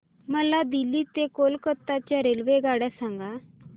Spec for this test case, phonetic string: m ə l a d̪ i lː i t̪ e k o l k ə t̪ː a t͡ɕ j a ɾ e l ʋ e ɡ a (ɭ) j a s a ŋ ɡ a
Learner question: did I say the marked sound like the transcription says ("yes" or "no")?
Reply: no